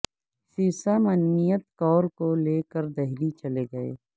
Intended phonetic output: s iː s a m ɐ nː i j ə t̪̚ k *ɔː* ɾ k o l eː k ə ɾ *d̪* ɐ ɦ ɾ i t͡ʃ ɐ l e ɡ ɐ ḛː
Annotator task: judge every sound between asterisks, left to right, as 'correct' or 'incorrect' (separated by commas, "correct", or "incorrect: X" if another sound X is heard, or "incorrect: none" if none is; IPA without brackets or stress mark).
correct, correct